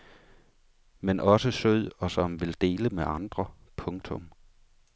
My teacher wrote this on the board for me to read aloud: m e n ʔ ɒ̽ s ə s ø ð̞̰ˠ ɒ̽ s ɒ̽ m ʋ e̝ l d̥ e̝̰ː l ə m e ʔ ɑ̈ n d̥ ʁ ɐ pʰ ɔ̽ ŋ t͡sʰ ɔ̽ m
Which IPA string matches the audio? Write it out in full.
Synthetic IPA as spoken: m e n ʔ ɒ̽ s ə s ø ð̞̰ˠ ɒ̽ s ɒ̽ m ʋ e̝ l d̥ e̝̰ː l ə m e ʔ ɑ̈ n d̥ ʁ ɐ pʰ ɔ̽ ŋ t͡sʰ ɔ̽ m